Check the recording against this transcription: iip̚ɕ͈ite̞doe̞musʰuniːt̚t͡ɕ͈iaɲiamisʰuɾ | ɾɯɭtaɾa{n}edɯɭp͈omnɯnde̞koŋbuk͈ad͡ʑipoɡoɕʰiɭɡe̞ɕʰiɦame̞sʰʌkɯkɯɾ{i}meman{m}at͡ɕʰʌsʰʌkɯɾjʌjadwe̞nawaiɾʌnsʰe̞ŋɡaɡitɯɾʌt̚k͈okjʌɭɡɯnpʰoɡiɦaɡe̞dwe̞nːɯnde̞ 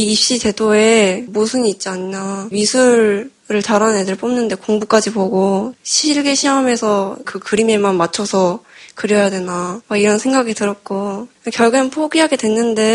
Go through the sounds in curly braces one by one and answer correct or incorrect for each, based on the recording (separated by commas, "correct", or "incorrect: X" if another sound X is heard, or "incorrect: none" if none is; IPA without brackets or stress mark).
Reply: correct, correct, correct